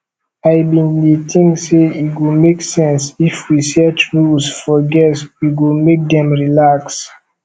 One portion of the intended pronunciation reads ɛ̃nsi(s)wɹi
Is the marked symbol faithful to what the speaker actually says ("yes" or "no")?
no